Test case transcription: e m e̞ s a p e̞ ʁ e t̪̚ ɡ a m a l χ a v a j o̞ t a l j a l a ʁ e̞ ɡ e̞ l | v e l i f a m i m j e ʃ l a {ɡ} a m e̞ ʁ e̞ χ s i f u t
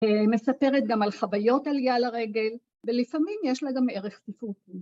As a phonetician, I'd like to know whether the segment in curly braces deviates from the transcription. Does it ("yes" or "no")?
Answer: no